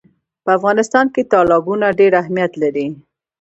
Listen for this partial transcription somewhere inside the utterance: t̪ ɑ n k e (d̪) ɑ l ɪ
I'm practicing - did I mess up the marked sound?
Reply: yes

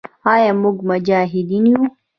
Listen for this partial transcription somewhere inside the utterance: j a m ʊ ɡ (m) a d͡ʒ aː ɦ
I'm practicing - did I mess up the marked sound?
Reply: no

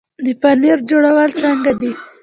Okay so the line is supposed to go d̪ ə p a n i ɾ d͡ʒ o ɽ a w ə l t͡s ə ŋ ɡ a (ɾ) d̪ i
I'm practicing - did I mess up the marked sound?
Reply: yes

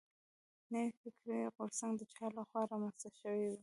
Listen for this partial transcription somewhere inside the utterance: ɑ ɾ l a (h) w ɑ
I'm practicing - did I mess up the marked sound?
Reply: yes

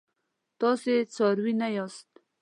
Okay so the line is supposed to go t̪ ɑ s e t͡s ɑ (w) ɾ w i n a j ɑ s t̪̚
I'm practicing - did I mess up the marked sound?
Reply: yes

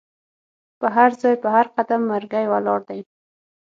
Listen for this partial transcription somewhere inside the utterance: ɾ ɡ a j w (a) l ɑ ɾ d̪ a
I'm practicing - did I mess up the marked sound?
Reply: no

